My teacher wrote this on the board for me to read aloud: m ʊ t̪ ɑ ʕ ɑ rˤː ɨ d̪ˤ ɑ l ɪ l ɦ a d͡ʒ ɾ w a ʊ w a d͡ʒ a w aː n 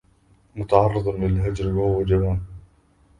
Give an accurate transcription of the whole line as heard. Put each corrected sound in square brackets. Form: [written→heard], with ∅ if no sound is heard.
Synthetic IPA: m ʊ t̪ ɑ ʕ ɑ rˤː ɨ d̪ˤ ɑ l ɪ l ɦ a d͡ʒ ɾ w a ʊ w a d͡ʒ a w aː n